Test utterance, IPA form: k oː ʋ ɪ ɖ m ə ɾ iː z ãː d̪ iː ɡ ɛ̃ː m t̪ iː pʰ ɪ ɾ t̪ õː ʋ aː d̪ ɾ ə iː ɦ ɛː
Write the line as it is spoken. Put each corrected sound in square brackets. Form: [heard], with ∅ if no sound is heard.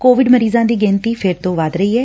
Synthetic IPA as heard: k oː ʋ ɪ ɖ m ə ɾ iː z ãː d̪ iː ɡ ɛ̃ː [n] t̪ iː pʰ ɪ ɾ t̪ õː ʋ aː d̪ ɾ ə iː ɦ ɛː